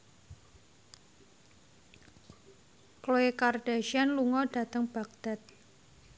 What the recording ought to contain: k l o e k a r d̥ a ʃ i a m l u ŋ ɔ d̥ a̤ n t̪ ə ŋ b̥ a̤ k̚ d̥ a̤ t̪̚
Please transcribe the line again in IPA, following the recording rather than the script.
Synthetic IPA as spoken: k l o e k a r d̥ a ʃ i a n l u ŋ ɔ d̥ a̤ t̪ ə ŋ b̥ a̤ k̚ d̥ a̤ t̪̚